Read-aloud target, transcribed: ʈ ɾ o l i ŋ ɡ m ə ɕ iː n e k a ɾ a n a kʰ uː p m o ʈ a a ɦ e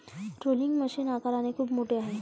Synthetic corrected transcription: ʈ ɾ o l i ŋ ɡ m ə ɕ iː n a k a ɾ a n e kʰ uː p m o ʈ e a ɦ e